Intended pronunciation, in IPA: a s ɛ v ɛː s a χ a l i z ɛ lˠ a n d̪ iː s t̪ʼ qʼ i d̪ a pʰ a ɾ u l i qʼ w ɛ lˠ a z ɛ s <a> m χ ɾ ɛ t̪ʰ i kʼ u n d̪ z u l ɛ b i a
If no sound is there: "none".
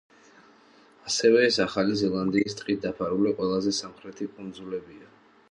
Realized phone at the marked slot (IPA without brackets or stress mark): a